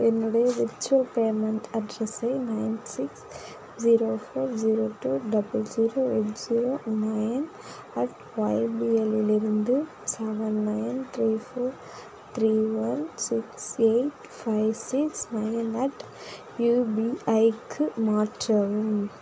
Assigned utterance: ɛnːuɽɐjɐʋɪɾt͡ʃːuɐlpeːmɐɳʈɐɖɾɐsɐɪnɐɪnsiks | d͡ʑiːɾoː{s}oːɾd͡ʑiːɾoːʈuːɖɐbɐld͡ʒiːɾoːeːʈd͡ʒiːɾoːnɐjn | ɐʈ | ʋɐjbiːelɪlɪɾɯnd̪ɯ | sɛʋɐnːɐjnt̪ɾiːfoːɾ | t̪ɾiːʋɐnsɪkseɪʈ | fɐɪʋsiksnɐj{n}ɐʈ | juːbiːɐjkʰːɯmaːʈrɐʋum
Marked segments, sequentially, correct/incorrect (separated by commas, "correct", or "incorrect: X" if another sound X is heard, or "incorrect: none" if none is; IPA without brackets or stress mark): incorrect: f, correct